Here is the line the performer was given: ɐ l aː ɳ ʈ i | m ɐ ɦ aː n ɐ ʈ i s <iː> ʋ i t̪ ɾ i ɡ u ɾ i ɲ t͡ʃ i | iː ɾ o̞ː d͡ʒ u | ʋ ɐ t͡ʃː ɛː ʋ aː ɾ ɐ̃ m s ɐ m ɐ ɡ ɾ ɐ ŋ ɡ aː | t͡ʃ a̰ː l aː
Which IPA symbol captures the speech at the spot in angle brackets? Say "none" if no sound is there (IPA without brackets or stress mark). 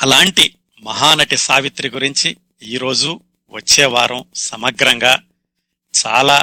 aː